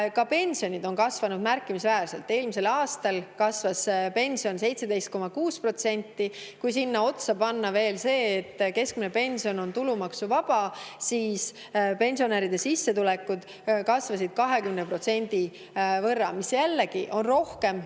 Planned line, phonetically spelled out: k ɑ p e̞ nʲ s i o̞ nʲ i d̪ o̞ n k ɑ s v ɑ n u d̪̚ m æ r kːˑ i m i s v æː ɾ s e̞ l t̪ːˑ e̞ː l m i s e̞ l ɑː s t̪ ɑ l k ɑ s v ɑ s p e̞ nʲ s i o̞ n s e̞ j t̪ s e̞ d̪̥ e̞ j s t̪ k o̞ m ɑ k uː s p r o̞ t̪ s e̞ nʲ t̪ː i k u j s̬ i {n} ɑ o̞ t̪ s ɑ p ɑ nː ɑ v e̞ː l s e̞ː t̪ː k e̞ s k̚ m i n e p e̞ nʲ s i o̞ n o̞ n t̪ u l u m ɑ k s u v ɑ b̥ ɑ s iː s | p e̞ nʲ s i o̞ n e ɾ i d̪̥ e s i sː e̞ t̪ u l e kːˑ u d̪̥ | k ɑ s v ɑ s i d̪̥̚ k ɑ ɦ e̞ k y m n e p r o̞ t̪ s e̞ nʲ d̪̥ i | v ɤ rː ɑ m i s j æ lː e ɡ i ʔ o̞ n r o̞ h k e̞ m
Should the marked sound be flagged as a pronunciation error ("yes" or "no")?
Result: yes